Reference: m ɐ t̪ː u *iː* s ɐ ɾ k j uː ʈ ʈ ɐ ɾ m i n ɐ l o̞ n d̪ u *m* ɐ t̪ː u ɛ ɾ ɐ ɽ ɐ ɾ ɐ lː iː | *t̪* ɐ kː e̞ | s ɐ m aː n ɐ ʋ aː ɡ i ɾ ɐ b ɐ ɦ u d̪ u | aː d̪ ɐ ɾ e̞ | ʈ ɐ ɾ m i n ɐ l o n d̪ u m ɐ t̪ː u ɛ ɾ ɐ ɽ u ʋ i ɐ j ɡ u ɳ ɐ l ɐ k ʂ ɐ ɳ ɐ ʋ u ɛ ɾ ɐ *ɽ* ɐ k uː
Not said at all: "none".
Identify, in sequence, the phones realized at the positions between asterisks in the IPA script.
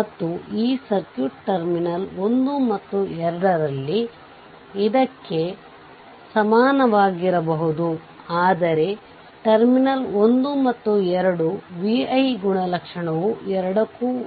iː, m, d̪, ɽ

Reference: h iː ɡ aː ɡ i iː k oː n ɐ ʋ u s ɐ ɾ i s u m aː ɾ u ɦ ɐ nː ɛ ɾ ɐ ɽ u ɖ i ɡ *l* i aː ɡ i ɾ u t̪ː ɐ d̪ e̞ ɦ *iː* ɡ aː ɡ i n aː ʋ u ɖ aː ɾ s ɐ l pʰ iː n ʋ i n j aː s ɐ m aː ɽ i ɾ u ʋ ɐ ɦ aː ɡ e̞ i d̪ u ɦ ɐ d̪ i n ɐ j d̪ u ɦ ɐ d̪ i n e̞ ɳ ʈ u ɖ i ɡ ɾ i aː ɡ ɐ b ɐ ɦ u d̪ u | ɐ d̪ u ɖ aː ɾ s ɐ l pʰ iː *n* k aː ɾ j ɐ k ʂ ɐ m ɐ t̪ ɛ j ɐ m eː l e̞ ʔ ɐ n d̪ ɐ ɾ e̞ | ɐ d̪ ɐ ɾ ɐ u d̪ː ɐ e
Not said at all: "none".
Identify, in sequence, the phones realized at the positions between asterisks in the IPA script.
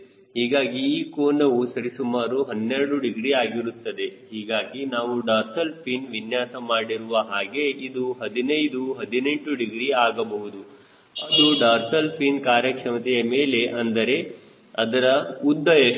ɾ, iː, n

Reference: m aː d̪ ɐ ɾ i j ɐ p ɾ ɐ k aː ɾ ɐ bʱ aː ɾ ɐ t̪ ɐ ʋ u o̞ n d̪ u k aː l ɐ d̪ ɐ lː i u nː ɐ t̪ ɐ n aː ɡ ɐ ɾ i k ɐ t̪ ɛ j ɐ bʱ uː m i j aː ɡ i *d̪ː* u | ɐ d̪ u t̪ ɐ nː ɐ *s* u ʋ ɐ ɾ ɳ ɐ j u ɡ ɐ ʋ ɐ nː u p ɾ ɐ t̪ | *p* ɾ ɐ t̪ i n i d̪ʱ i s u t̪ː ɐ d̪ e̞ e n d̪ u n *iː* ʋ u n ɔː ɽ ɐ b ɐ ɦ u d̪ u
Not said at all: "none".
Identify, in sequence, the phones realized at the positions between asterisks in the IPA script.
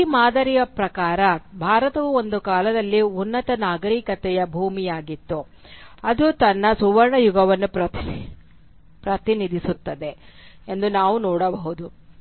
t̪ː, s, p, aː

